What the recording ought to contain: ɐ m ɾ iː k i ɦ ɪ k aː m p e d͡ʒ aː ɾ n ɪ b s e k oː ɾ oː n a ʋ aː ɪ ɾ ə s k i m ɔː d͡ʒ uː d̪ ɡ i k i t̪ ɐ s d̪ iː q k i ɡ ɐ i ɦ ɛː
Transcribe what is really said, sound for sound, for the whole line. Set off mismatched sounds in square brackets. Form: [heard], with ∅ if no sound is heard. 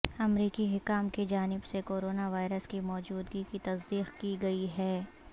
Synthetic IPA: ɐ m ɾ iː k i ɦ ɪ k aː m [k] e d͡ʒ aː [∅] n ɪ b s e k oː ɾ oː n a ʋ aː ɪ ɾ ə s k i m ɔː d͡ʒ uː d̪ ɡ i k i t̪ ɐ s d̪ iː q k i ɡ ɐ i ɦ ɛː